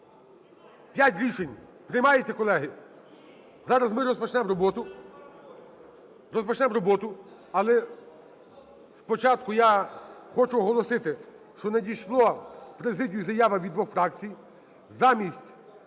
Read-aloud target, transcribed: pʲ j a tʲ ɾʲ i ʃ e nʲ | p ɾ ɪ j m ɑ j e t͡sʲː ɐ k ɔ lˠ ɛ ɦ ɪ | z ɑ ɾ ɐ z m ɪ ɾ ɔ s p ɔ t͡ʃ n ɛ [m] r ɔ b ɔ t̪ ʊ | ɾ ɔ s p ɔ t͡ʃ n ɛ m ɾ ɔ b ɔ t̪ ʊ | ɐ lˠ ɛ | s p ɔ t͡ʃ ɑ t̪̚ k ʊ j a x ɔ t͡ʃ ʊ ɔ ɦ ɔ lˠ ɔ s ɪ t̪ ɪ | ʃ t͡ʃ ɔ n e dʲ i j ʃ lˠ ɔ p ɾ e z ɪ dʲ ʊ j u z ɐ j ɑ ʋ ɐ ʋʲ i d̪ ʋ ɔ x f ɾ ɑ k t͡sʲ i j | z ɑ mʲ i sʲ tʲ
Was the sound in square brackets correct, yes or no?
yes